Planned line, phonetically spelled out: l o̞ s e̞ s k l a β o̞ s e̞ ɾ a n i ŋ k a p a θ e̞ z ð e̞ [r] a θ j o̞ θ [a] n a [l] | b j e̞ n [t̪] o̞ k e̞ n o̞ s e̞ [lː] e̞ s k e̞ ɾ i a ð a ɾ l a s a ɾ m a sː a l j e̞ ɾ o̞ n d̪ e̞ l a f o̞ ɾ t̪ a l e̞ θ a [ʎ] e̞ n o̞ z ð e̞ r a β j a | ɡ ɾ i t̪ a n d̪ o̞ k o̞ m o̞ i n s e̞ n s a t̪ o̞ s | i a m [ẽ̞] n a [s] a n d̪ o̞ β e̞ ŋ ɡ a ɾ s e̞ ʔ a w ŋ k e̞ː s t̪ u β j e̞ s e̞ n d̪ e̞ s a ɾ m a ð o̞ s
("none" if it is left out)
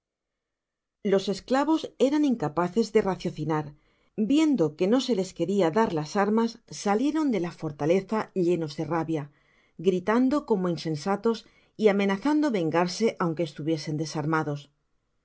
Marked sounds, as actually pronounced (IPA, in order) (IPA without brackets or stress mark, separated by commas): r, i, ɾ, d̪, l, ʎ, e̞, θ